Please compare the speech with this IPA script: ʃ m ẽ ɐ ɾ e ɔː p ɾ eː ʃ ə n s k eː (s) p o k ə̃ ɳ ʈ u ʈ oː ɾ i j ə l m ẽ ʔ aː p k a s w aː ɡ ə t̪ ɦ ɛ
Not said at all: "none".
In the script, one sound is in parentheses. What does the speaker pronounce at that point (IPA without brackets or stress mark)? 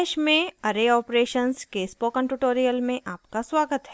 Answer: s